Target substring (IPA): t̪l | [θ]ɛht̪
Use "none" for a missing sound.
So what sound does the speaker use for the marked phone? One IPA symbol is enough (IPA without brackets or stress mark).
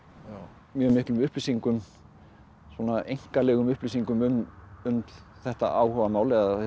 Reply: θ